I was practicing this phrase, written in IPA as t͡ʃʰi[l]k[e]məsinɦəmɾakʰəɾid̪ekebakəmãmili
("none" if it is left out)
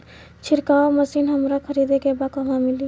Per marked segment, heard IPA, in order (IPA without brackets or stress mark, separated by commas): ɾ, a